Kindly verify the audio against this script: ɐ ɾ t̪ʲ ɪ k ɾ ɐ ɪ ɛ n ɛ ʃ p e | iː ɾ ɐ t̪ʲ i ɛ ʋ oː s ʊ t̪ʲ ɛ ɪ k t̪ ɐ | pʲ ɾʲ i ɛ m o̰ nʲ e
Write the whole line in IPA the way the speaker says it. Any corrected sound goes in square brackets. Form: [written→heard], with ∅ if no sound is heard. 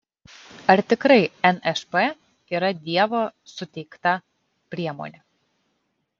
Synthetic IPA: ɐ ɾ t̪ʲ ɪ k ɾ ɐ ɪ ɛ n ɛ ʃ p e | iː ɾ ɐ [t̪ʲ→d̪ʲ] i ɛ ʋ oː s ʊ t̪ʲ ɛ ɪ k t̪ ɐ | pʲ ɾʲ i ɛ m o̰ nʲ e